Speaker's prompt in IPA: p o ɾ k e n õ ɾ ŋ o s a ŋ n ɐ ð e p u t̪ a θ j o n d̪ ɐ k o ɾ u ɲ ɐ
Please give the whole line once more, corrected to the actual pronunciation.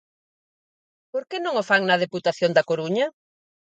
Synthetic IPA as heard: p o ɾ k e n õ ŋ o f a ŋ n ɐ ð e p u t̪ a θ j o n d̪ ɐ k o ɾ u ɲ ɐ